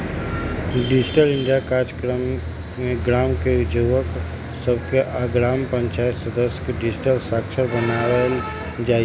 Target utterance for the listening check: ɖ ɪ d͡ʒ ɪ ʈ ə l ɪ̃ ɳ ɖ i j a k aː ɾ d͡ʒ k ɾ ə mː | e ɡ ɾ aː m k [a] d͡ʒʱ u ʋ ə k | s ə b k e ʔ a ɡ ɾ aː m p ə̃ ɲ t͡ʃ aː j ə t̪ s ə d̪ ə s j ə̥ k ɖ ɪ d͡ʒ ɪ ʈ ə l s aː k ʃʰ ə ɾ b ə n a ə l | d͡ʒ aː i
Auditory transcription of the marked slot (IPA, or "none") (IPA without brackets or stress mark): e